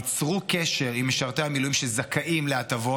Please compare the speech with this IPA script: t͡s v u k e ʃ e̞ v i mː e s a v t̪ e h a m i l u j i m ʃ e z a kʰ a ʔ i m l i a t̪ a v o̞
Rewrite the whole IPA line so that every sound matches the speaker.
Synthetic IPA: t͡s ʁ u k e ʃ e̞ ʁ i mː e ʃ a ʁ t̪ e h a m i l u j i m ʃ e z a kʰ a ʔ i m l e a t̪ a v o̞